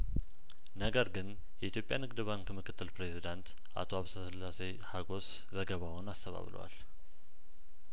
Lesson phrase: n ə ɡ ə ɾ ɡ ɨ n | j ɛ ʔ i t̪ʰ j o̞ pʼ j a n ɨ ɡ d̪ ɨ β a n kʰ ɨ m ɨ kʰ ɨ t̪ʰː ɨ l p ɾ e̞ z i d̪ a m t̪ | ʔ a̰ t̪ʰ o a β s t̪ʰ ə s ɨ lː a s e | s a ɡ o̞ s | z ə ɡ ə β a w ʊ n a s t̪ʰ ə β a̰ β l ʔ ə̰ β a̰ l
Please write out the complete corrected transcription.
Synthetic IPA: n ə ɡ ə ɾ ɡ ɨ n | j ɛ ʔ i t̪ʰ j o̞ pʼ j a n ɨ ɡ d̪ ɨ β a n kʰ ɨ m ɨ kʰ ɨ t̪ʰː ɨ l p ɾ e̞ z i d̪ a n t̪ | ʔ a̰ t̪ʰ o a β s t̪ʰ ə s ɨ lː a s e | h a ɡ o̞ s | z ə ɡ ə β a w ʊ n a s t̪ʰ ə β a̰ β l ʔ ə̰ w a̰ l